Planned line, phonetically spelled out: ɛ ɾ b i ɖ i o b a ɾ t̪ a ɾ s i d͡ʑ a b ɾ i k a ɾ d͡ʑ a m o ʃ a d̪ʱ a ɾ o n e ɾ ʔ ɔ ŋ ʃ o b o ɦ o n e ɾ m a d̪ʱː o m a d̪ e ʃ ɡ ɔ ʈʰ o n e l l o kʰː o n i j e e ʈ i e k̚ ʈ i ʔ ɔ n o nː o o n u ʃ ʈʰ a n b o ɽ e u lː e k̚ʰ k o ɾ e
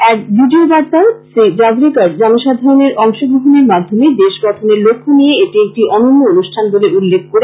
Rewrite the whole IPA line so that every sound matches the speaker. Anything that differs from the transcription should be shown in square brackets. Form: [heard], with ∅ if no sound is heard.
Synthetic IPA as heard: ɛ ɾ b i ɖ i o b a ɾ t̪ a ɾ s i d͡ʑ a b ɾ i k a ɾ d͡ʑ a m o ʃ a d̪ʱ a ɾ o n e ɾ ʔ ɔ ŋ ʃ o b o ɦ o n e ɾ m a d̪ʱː o m [e] d̪ e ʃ ɡ ɔ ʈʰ o n e [ɾ] l o kʰː o n i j e e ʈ i e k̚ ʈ i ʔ ɔ n o nː o o n u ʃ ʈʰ a n b o [l] e u lː e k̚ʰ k o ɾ e